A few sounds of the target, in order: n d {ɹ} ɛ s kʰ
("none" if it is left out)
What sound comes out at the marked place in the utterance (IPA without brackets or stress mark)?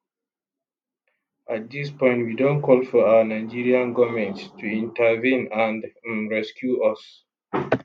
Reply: ɹ